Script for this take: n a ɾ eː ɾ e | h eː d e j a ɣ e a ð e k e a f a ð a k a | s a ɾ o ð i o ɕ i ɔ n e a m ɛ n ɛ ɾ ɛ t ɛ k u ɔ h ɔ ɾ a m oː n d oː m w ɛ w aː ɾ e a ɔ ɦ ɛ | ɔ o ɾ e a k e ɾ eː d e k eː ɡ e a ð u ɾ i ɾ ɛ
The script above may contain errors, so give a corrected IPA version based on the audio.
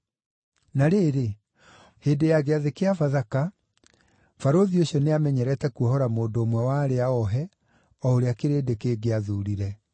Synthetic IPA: n a ɾ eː ɾ e | h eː d e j a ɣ e a ð e k e a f a ð a k a | f a ɾ o ð i o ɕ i ɔ n e a m ɛ ɲ ɛ ɾ ɛ t ɛ k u ɔ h ɔ ɾ a m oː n d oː m w ɛ w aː ɾ e a ɔ ɦ ɛ | ɔ o ɾ e a k e ɾ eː d e k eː ɡ e a ð u ɾ i ɾ ɛ

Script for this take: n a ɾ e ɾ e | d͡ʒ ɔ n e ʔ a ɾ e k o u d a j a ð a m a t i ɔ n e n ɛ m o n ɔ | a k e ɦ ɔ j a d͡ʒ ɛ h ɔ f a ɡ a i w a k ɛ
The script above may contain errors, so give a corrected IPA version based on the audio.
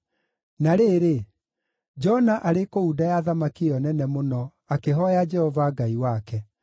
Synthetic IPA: n a ɾ e ɾ e | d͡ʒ ɔ n a ʔ a ɾ e k o u d a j a ð a m a k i ɔ n ɛ n ɛ m o n ɔ | a k e ɦ ɔ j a d͡ʒ ɛ h ɔ v a ɡ a i w a k ɛ

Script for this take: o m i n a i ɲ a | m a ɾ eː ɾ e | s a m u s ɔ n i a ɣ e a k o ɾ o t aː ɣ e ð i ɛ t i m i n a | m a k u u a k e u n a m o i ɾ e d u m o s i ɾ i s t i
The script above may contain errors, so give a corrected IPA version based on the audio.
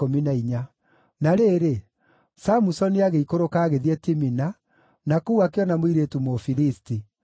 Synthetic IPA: o m i n a i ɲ a | n a ɾ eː ɾ e | s a m u s ɔ n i a ɣ e i k o ɾ o k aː ɣ e ð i ɛ t i m i n a | n a k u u a k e ɔ n a m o i ɾ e t u m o f i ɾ i s t i

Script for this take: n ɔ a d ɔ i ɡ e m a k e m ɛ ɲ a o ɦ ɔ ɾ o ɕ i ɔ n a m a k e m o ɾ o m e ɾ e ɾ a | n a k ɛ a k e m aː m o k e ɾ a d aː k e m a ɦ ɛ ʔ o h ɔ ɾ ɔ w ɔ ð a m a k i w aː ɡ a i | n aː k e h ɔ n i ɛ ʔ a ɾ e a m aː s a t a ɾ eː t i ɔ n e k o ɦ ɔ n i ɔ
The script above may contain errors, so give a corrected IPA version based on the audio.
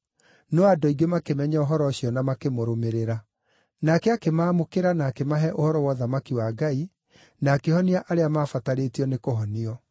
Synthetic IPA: n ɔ a d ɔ i ɡ e m a k e m ɛ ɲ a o ɦ ɔ ɾ ɔ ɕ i ɔ n a m a k e m o ɾ o m e ɾ e ɾ a | n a k ɛ a k e m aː m o k e ɾ a n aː k e m a ɦ ɛ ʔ o h ɔ ɾ ɔ w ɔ ð a m a k i w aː ɡ a i | n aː k e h ɔ n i a ʔ a ɾ e a m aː f a t a ɾ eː t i ɔ n e k o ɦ ɔ n i ɔ

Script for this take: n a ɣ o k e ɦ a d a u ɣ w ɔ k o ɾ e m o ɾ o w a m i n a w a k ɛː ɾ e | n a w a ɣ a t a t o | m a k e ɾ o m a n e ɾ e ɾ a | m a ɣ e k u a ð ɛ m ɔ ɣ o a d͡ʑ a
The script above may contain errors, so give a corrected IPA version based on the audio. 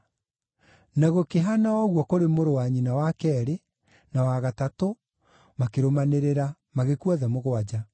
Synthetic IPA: n a ɣ o k e ɦ a n a ɔ ɣ w ɔ k o ɾ e m o ɾ o w a ɲ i n a w a k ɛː ɾ e | n a w a ɣ a t a t o | m a k e ɾ o m a n e ɾ e ɾ a | m a ɣ e k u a ð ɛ m o ɣ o a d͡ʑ a

